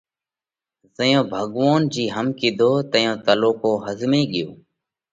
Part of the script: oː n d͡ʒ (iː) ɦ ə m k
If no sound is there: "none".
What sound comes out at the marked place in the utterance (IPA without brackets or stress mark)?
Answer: iː